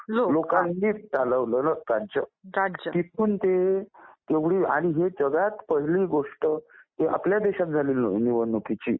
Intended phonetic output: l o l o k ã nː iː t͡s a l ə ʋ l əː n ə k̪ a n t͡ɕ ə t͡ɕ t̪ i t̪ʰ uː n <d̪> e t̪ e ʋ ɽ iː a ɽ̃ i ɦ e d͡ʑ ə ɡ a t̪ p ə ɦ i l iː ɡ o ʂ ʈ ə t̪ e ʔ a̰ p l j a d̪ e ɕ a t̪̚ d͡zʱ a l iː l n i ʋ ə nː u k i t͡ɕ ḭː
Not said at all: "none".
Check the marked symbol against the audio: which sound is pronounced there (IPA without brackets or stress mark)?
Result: t̪